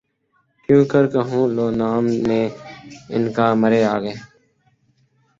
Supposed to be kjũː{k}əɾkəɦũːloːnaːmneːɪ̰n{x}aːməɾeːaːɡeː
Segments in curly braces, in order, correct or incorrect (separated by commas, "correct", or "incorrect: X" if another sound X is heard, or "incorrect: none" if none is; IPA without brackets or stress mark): correct, incorrect: k